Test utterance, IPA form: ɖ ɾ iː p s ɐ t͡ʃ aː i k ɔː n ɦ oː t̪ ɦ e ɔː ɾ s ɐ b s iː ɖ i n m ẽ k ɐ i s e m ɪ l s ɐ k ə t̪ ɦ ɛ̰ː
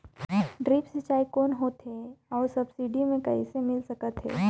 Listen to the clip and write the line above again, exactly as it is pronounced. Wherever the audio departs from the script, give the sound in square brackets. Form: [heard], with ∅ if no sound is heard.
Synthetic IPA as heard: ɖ ɾ iː p s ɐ t͡ʃ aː i k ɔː n ɦ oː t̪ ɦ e ɔː ɾ s ɐ b s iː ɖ i [∅] m ẽ k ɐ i s e m ɪ l s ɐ k ə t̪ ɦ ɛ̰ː